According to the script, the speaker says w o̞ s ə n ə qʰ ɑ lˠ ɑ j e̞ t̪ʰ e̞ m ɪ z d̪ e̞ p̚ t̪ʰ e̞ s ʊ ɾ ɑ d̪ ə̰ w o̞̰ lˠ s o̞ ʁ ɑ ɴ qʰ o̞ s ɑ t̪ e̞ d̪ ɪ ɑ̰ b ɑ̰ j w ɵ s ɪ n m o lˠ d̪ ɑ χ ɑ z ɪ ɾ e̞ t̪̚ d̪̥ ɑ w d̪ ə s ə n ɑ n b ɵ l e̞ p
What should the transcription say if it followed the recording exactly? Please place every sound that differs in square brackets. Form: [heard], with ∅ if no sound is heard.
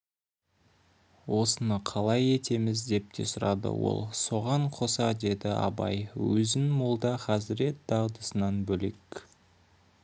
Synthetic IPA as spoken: w o̞ s ə n ə qʰ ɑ lˠ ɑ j e̞ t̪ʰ e̞ m ɪ z d̪ e̞ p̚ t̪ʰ e̞ s ʊ ɾ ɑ d̪ ə̰ w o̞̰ lˠ s o̞ ʁ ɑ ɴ qʰ o̞ s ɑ [d̪] e̞ d̪ ɪ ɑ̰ b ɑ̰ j w ɵ [z] ɪ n m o lˠ d̪ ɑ χ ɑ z ɪ ɾ e̞ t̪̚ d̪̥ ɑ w d̪ ə s ə n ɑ n b ɵ l e̞ [k]